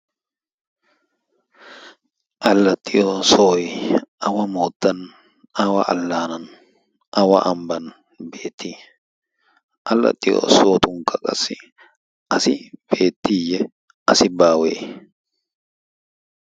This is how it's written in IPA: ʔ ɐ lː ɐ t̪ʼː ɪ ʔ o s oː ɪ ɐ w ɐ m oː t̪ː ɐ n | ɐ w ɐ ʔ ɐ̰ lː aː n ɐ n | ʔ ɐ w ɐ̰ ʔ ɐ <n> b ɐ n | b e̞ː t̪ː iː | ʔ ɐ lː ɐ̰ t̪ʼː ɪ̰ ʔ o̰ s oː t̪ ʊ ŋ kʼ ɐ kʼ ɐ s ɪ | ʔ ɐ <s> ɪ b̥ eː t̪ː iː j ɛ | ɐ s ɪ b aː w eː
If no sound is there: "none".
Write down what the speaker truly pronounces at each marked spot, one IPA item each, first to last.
m, s

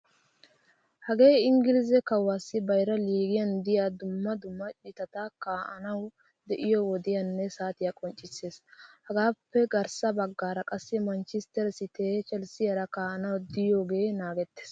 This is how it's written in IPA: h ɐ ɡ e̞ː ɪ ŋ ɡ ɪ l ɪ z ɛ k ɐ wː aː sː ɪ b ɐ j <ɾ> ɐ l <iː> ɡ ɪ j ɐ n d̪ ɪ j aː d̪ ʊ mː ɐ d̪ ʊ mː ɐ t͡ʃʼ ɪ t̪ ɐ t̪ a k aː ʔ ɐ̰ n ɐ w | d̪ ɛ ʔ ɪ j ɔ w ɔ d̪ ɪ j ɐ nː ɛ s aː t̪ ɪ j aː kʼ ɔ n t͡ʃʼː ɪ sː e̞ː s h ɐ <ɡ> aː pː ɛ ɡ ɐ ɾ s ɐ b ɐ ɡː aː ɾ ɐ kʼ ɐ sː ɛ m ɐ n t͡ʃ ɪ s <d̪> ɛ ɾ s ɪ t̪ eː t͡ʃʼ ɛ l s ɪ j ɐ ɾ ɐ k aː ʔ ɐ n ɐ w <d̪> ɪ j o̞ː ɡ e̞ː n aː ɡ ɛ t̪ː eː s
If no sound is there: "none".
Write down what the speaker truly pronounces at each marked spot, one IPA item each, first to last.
ɾ, iː, ɡ, t̪, d̪

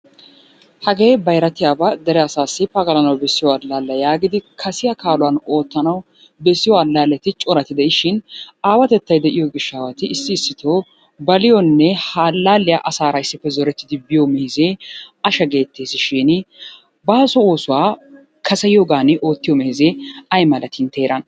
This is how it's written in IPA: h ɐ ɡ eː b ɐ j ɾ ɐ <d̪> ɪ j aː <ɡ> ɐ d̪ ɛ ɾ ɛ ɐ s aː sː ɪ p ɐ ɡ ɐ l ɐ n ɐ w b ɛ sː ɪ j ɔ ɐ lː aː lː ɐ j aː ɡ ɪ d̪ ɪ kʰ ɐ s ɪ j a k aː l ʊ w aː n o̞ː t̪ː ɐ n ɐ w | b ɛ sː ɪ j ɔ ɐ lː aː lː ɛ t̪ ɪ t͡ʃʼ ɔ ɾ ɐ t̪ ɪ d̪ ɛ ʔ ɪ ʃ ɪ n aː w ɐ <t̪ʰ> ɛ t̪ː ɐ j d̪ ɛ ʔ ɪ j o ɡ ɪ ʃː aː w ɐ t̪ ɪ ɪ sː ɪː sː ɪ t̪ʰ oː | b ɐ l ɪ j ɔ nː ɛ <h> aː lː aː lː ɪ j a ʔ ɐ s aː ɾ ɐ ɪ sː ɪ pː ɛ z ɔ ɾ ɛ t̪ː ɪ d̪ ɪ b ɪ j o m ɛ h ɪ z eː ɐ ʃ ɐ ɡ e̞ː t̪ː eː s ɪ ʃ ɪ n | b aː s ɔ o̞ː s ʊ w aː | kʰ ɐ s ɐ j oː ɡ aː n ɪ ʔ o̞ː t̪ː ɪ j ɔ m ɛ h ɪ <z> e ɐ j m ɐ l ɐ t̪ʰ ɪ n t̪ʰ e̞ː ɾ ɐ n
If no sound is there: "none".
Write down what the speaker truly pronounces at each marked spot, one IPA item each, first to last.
t̪, b, t̪, h, z

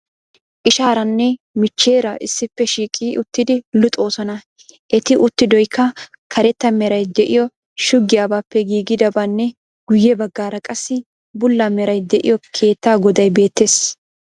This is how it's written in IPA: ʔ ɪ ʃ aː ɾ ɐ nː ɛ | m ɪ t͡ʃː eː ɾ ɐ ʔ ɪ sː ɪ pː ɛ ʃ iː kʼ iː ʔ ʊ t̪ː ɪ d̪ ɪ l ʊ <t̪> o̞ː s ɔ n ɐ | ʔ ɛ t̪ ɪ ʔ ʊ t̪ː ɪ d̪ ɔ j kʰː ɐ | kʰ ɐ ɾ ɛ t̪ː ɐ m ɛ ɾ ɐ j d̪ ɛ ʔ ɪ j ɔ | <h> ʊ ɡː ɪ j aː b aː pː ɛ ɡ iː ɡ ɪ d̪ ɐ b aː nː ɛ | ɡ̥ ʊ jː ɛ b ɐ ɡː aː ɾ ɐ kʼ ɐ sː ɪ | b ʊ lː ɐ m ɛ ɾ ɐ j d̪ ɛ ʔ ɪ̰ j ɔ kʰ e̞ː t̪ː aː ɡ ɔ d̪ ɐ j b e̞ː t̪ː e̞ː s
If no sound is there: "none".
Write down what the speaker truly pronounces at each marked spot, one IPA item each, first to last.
t̪ʼ, ʃ

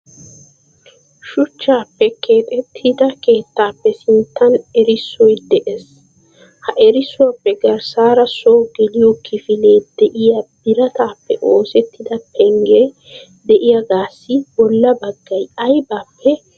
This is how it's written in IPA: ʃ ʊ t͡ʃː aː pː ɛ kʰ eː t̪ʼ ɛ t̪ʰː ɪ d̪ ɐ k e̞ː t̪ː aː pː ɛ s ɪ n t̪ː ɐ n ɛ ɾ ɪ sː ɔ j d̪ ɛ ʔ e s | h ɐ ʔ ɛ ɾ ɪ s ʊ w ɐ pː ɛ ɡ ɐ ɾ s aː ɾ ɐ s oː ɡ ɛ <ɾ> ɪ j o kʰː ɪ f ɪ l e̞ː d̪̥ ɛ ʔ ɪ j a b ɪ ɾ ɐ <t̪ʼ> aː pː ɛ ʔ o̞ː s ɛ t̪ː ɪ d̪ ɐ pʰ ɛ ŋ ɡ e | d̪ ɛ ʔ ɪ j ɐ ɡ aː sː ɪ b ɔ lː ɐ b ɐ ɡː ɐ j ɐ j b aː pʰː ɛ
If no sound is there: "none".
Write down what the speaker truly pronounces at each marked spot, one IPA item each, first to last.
l, t̪

